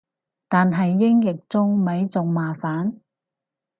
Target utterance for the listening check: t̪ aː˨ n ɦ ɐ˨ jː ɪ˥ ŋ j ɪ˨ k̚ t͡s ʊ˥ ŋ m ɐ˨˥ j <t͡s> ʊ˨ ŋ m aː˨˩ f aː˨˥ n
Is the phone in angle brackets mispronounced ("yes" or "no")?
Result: no